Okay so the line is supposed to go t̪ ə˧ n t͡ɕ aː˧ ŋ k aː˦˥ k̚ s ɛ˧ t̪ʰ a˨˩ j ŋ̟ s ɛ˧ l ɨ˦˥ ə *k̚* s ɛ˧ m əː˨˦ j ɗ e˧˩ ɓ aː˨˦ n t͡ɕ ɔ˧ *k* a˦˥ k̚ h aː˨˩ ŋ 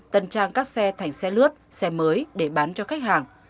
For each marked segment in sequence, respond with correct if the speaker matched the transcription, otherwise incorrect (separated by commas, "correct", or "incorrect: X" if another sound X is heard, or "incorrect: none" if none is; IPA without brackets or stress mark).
incorrect: t̚, incorrect: x